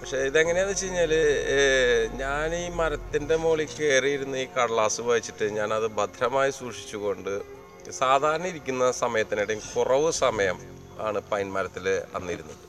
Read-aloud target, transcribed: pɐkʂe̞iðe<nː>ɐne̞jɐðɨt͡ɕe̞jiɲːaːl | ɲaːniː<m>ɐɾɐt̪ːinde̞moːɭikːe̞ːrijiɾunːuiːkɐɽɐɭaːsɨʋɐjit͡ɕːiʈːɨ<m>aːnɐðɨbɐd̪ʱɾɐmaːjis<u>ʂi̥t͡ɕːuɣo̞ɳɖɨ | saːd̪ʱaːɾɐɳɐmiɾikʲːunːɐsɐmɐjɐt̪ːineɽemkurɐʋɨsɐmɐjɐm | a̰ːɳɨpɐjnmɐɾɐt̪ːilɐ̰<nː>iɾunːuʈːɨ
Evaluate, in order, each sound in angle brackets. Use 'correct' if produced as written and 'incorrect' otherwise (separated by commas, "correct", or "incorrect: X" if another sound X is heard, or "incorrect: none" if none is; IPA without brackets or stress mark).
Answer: incorrect: ŋː, correct, incorrect: ɲ, incorrect: uː, correct